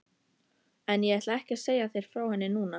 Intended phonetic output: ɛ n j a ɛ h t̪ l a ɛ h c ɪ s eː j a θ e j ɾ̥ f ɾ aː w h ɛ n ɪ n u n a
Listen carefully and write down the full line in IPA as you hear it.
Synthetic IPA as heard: ɛ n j ɛ ɛ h t̪ l a ɛ h c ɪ s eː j a θ e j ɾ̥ f ɾ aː w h ɛ nː ɪ n uː n a